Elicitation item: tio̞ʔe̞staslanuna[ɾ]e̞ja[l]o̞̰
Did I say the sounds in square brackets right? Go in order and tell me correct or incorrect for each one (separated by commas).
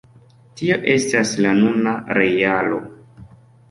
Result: correct, correct